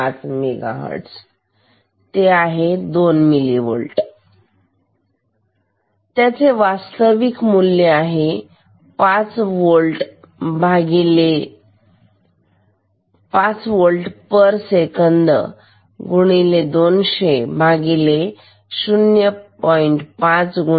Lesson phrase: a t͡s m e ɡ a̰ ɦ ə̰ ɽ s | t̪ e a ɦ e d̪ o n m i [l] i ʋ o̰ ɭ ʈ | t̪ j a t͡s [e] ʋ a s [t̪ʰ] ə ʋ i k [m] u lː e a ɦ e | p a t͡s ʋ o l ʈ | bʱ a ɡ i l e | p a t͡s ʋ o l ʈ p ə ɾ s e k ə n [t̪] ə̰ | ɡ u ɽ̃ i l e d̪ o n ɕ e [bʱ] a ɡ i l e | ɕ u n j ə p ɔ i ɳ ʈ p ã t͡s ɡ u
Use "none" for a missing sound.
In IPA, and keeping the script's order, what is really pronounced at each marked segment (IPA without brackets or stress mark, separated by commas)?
l, e, t̪, m, d̪, bʱ